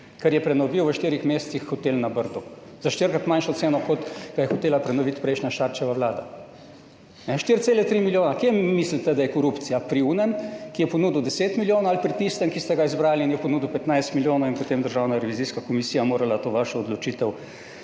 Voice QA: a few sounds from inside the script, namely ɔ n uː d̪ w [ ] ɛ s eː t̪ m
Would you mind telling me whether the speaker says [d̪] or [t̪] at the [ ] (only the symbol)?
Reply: d̪